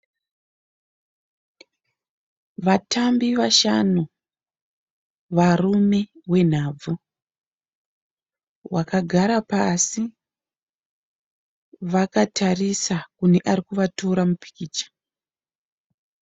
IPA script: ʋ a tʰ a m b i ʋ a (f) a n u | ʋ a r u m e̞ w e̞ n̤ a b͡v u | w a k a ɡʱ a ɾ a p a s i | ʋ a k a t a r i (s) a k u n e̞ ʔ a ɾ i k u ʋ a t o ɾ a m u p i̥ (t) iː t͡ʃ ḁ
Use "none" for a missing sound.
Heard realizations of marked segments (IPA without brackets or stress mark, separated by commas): ʃ, s, k